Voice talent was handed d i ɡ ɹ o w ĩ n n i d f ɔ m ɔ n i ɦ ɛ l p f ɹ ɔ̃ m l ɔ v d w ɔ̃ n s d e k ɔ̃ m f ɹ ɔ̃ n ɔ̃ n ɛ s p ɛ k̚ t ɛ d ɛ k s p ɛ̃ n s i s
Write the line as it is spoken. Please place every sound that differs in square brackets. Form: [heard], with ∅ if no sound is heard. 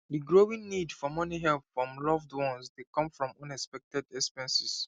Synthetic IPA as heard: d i ɡ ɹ o w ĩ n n i d f ɔ m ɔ n i ɦ ɛ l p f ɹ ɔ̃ m l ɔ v d w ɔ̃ n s d e k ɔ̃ m f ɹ ɔ̃ [m] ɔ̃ n ɛ s p ɛ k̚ t ɛ d ɛ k s p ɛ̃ n s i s